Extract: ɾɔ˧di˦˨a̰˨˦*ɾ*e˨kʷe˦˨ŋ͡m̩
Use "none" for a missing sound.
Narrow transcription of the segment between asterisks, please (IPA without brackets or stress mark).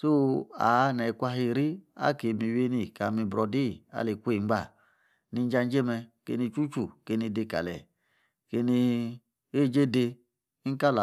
l